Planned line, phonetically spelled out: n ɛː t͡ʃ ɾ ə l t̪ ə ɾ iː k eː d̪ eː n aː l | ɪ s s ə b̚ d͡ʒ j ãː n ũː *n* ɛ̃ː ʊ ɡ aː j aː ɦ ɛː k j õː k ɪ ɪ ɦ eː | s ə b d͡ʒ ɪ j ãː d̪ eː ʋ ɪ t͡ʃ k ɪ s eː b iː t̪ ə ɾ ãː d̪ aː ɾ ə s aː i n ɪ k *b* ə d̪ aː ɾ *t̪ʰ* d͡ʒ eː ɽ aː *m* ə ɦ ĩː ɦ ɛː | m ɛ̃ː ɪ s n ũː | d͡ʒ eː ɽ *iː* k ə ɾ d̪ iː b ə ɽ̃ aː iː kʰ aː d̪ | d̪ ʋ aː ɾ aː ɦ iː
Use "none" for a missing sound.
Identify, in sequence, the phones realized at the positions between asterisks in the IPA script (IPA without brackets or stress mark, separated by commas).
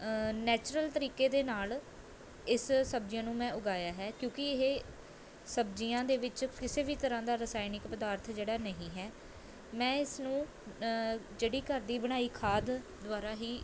m, p, t̪ʰ, n, iː